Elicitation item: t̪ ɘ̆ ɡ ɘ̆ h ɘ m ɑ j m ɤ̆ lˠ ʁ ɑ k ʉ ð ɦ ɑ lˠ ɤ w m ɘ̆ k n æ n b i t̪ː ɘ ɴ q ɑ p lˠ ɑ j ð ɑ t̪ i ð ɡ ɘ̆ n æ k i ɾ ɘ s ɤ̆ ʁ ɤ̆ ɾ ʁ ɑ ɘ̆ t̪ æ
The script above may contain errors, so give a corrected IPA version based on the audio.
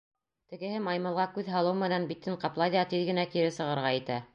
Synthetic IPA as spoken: t̪ ɘ̆ ɡ ɘ̆ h ɘ m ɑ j m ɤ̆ lˠ ʁ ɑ k ʉ ð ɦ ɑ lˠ ɤ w m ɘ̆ n æ n b i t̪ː ɘ ɴ q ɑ p lˠ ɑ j ð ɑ t̪ i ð ɡ ɘ̆ n æ k i ɾ ɘ s ɤ̆ ʁ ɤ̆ ɾ ʁ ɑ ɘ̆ t̪ æ